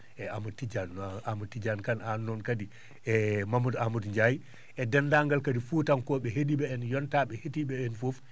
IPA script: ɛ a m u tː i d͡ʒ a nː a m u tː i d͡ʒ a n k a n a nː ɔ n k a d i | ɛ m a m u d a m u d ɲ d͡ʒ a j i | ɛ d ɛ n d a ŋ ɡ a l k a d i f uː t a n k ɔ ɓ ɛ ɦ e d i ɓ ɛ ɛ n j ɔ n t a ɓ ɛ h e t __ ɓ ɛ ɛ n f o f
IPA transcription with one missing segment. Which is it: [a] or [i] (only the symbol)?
i